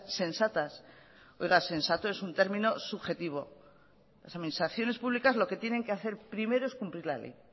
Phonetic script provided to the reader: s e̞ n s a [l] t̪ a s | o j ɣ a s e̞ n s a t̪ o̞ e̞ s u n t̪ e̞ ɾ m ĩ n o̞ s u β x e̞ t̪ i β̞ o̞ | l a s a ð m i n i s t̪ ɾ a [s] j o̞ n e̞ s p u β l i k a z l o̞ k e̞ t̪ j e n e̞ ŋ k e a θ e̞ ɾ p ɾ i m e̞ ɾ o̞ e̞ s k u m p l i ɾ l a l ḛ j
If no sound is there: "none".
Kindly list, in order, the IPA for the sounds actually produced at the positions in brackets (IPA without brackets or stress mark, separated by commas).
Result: none, θ